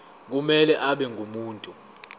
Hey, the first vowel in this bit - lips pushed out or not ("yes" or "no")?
yes